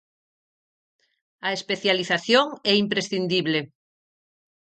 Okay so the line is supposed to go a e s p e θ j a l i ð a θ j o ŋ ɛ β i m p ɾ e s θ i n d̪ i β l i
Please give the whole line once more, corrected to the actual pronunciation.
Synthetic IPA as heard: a e s p e θ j a l i θ a θ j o ŋ ɛ i m p ɾ e s θ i n d̪ i β l e